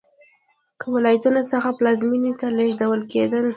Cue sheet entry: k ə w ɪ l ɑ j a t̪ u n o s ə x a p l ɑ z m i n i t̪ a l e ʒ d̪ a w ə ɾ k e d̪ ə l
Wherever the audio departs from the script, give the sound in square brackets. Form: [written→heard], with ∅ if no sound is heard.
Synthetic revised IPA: k ə w ɪ l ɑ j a t̪ u n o s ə x a p l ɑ z m i n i t̪ a l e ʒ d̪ a w ə [ɾ→l] k e d̪ ə l